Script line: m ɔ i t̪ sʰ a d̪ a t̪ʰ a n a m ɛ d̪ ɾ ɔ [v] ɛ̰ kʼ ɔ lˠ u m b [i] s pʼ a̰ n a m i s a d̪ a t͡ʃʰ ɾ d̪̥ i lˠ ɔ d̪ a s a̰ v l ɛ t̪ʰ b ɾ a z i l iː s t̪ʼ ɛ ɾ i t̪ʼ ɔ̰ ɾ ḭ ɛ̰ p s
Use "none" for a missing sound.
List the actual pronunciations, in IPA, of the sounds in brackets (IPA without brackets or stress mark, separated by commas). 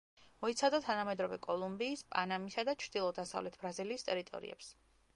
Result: v, iː